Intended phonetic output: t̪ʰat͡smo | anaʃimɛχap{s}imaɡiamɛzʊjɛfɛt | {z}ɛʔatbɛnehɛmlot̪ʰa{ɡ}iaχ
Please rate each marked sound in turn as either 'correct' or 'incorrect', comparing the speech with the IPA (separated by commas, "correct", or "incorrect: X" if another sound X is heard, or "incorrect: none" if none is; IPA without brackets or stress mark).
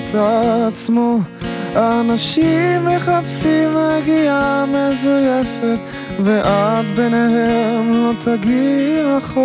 correct, incorrect: v, correct